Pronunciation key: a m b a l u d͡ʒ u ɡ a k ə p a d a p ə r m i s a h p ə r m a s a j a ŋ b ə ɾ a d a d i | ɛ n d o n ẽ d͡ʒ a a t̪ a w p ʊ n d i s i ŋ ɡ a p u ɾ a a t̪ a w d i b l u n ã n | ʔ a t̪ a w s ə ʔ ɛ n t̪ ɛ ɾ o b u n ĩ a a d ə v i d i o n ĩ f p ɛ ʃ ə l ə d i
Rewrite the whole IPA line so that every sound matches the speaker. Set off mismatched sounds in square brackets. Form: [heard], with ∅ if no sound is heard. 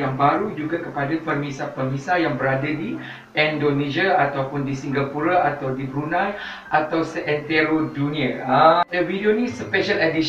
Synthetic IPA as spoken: a [ŋ] b a [ɾ] u d͡ʒ u ɡ a k ə p a d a p ə r m i s a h p ə r m [i] s a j a ŋ b ə ɾ a d a d i | ɛ n d o n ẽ d͡ʒ a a t̪ a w p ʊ n d i s i ŋ ɡ a p u ɾ a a t̪ a w d i b [ɾ] u n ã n | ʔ a t̪ a w s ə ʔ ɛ n t̪ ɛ ɾ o [d] u n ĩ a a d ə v i d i o n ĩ [s] p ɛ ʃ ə l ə d i